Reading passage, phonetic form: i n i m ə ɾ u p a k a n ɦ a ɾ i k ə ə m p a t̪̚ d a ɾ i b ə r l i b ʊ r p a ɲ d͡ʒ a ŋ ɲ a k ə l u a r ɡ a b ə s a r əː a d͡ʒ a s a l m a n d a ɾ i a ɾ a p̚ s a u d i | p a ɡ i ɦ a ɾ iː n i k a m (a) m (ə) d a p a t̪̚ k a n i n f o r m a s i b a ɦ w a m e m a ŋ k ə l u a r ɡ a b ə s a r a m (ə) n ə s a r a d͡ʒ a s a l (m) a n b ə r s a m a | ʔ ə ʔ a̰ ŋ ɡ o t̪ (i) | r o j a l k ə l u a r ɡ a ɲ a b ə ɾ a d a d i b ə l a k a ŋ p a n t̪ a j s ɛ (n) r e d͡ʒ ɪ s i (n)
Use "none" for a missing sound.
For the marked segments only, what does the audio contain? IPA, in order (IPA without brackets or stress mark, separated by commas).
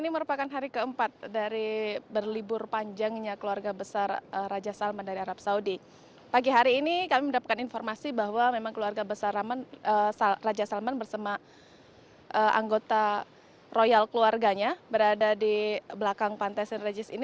i, ə, a, m, a, n, n